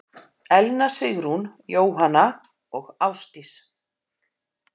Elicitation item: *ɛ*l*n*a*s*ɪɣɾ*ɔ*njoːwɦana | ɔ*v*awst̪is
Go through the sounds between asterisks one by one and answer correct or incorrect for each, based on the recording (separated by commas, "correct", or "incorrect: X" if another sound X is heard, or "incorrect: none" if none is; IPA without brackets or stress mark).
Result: correct, correct, correct, incorrect: u, incorrect: ɣ